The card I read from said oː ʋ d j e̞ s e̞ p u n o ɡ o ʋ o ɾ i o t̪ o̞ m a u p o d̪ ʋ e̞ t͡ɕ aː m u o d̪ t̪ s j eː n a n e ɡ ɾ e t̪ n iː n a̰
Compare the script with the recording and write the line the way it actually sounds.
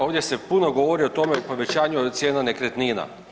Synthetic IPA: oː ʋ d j e̞ s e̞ p u n o ɡ o ʋ o ɾ i o t̪ o̞ m e u p o ʋ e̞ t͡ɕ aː ɲ u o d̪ t̪ s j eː n a n e k ɾ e t̪ n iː n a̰